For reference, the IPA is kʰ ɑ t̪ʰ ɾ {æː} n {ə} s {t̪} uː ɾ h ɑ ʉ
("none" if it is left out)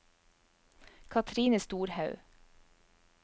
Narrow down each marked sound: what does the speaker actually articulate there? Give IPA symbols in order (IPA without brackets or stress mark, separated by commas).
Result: iː, ə, t̪